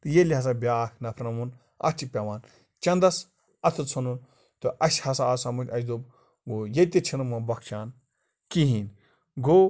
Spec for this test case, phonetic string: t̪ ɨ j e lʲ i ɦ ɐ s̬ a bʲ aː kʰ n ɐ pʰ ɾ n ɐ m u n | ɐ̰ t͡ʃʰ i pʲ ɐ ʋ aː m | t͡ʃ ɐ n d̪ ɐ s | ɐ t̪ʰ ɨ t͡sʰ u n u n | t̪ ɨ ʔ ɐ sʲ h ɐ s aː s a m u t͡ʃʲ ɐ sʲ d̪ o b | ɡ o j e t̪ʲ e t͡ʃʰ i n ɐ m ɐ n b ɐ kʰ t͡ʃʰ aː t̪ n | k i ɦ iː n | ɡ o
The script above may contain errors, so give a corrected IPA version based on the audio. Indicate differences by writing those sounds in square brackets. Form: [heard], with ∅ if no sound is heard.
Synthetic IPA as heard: t̪ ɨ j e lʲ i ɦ ɐ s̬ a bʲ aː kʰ n ɐ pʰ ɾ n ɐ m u n | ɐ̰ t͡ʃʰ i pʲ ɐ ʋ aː [n] | t͡ʃ ɐ n d̪ ɐ s | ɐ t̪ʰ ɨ t͡sʰ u n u n | t̪ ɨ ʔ ɐ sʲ h ɐ s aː s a m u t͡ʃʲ ɐ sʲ d̪ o b | ɡ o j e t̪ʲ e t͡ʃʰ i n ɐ m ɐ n b ɐ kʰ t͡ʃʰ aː [∅] n | k i ɦ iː n | ɡ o

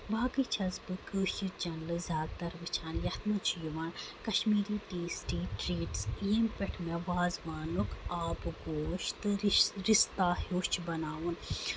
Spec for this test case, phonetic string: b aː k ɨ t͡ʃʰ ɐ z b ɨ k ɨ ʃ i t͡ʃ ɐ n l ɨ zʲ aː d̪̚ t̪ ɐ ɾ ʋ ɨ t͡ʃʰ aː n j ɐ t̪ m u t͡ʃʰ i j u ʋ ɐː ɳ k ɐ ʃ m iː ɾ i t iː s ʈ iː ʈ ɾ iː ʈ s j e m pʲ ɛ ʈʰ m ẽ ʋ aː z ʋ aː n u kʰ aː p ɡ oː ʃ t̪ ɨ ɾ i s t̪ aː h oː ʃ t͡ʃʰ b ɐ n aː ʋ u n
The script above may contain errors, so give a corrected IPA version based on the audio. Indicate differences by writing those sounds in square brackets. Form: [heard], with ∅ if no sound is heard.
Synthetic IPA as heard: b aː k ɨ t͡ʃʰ ɐ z b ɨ k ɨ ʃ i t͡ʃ ɐ n l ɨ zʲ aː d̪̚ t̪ ɐ ɾ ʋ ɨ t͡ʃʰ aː n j ɐ t̪ m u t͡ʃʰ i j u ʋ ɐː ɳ k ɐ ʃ m iː ɾ i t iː s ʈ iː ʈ ɾ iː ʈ s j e m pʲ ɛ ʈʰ m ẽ ʋ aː z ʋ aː n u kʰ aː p ɡ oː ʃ t̪ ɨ ɾ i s t̪ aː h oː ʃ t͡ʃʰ b ɐ n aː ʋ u n

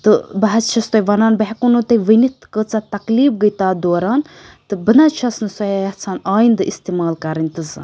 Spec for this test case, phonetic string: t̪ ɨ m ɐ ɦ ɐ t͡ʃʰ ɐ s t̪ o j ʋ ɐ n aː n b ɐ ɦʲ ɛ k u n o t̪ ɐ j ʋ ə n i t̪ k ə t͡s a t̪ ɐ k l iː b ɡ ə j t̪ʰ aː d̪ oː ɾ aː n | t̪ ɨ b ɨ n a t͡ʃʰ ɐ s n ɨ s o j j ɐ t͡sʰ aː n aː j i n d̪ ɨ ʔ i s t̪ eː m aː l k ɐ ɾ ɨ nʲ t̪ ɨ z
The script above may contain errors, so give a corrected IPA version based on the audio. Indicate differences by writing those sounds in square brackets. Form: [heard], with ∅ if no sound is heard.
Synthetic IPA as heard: t̪ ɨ [b] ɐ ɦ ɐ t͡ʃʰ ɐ s t̪ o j ʋ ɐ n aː n b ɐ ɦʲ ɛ k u n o t̪ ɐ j ʋ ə n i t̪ k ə t͡s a t̪ ɐ k l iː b ɡ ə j [t̪] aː d̪ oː ɾ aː n | t̪ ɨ b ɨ n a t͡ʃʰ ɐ s n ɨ s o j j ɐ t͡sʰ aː n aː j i n d̪ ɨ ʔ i s t̪ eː m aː l k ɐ ɾ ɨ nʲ t̪ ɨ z

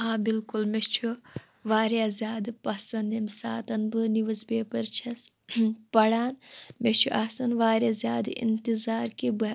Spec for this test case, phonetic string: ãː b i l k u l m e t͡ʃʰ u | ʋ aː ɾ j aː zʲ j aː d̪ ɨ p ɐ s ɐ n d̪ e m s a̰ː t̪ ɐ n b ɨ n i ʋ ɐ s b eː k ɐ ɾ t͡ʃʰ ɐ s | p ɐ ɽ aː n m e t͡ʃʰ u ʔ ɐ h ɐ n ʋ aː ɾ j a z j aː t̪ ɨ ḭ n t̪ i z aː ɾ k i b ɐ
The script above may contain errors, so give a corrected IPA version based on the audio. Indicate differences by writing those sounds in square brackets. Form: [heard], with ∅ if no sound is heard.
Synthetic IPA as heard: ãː b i l k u l m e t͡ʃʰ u | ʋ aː ɾ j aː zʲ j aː d̪ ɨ p ɐ s ɐ n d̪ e m s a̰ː t̪ ɐ n b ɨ n i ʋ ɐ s b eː [p] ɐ ɾ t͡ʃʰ ɐ s | p ɐ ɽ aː n m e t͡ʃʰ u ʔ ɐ [s] ɐ n ʋ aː ɾ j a z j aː [d̪] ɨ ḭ n t̪ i z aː ɾ k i b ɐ

